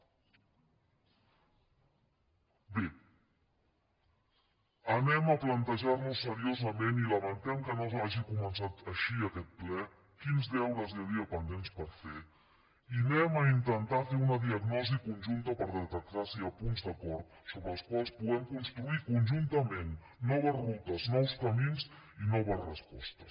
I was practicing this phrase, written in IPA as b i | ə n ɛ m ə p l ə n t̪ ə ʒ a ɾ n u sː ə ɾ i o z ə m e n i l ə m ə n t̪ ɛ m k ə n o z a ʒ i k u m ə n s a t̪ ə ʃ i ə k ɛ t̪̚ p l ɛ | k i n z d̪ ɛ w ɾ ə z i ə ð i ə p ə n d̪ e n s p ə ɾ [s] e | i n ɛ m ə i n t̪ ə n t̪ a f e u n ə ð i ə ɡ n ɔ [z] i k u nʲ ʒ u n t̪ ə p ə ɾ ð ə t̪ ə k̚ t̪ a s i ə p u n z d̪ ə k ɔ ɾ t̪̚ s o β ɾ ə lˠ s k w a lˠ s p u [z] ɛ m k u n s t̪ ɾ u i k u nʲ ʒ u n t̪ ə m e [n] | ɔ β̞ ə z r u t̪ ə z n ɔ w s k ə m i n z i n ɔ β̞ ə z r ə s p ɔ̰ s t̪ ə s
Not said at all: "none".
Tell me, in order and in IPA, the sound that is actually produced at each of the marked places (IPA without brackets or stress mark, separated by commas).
f, z, ɣ, nː